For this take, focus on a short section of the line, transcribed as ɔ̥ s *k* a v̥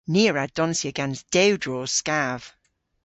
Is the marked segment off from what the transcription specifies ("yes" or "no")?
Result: no